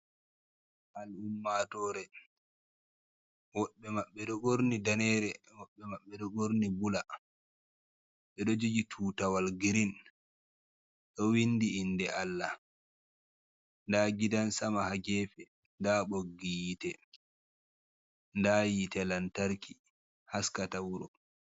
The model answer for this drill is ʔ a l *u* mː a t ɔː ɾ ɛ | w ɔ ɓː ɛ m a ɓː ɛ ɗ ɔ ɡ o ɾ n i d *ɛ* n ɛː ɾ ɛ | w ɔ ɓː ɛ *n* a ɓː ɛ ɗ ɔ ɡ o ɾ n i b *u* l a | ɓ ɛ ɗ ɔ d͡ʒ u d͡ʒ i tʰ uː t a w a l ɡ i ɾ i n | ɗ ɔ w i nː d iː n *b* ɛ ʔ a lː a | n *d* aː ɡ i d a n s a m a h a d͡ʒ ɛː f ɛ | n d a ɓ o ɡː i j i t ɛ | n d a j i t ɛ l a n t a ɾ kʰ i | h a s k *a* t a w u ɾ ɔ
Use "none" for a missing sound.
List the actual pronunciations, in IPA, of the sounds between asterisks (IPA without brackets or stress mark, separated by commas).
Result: u, a, m, u, d, d, a